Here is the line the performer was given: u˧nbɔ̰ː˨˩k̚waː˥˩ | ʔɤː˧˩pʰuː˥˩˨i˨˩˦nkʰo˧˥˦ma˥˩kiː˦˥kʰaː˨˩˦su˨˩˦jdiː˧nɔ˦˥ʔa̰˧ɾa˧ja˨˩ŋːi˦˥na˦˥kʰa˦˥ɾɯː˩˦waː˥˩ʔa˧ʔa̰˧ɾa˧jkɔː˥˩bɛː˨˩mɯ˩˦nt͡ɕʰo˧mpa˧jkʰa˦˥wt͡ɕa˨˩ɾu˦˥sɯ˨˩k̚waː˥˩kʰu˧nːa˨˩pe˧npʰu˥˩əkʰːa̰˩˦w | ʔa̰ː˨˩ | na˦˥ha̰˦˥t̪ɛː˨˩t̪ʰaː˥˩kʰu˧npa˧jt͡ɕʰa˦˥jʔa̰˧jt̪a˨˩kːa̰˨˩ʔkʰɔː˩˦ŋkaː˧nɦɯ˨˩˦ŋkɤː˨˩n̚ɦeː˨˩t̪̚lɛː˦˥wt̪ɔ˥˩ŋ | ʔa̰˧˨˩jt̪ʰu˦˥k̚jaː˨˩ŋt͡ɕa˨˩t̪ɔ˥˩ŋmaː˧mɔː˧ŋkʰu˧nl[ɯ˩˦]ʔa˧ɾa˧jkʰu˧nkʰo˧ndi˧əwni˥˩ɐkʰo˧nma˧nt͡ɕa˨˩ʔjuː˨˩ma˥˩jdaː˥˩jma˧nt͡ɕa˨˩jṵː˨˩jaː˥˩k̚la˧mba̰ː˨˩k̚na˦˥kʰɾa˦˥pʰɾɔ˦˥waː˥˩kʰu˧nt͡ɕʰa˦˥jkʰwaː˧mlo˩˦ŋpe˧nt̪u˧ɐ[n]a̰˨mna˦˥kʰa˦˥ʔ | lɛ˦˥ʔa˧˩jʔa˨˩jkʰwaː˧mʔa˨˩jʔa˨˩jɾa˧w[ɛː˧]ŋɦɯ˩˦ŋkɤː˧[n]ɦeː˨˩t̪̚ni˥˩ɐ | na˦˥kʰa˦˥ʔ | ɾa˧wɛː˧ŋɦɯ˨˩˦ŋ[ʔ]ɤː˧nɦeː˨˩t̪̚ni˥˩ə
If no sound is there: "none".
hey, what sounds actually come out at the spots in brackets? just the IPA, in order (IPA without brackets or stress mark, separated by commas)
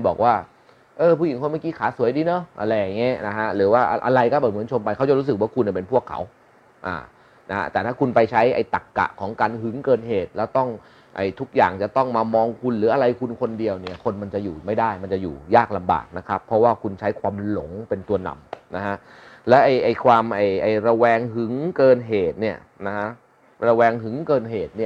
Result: ɯː˩˦, n, ɛː˧, n, k